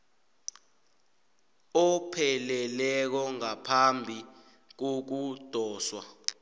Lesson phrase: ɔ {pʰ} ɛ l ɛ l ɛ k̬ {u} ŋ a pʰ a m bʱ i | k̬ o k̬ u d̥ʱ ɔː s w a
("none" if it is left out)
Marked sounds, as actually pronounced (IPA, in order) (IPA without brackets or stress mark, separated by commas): pʰ, ɔ